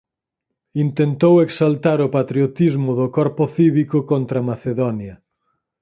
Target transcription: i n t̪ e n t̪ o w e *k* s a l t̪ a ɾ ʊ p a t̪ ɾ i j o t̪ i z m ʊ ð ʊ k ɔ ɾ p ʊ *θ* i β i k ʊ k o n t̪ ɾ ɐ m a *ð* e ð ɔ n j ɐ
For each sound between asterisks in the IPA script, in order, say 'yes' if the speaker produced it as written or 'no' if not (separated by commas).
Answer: yes, yes, no